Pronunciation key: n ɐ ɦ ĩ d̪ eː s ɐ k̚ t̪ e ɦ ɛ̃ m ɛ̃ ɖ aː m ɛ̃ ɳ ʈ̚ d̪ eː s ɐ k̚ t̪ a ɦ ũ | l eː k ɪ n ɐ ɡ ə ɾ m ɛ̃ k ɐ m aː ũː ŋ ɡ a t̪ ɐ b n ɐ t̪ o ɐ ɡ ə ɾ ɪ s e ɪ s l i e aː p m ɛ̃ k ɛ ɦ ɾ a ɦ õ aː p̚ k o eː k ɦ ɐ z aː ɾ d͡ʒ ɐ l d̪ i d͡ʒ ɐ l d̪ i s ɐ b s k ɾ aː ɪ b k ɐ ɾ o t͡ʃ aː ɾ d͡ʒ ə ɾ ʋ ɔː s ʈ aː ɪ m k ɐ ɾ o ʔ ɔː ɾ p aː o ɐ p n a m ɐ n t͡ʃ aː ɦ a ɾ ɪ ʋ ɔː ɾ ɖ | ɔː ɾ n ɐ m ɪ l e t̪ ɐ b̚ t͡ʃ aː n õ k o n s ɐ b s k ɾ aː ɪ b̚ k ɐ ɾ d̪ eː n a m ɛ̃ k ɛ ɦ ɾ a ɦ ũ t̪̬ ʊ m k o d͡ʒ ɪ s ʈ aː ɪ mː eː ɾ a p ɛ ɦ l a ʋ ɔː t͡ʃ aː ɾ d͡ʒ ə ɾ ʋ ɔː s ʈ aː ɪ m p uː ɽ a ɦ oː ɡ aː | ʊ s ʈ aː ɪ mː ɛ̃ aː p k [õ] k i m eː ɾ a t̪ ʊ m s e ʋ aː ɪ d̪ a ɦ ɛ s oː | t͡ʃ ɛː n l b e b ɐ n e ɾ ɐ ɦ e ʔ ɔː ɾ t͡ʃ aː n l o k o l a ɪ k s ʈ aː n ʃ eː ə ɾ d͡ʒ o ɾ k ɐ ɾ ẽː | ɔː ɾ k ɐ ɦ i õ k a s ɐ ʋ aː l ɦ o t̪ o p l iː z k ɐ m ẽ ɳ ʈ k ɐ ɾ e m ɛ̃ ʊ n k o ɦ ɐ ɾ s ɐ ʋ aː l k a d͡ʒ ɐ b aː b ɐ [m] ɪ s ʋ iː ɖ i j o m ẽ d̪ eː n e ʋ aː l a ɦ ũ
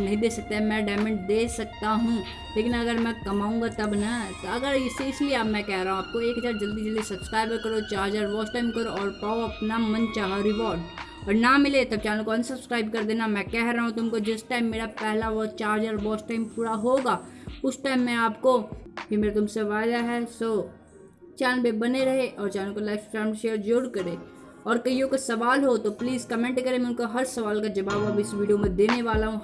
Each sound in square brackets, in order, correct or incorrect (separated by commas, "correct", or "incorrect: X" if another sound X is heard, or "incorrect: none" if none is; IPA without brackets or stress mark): incorrect: o, incorrect: b